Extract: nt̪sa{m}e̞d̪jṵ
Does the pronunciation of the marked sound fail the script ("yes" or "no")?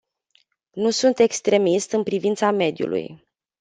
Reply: no